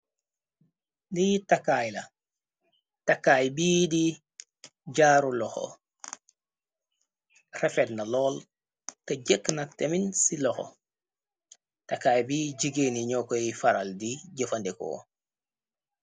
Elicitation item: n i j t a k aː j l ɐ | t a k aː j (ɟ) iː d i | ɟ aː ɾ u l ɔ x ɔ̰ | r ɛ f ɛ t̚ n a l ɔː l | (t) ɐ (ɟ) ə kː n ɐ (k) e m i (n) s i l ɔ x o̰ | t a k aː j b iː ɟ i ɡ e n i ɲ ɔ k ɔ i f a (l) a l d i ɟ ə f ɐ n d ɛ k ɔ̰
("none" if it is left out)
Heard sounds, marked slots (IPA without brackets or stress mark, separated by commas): b, t, ɟ, t, n, ɾ